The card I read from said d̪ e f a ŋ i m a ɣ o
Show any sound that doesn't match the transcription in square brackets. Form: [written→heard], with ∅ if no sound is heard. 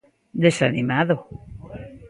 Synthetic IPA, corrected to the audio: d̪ e [f→s] a [ŋ→n] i m a [ɣ→ð] o